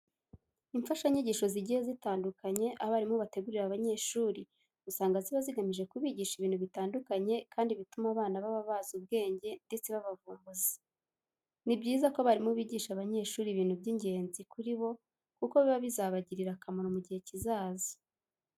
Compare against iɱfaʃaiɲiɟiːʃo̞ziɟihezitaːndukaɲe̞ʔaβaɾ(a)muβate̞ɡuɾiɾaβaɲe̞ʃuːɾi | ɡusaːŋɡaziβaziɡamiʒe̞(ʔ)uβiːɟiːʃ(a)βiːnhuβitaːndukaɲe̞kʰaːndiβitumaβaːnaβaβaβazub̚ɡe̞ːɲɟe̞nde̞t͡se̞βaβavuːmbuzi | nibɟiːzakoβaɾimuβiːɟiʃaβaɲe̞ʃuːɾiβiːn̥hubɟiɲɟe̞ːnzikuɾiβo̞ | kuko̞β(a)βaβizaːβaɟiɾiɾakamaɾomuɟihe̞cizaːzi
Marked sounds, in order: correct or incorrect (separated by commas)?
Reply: incorrect, incorrect, incorrect, incorrect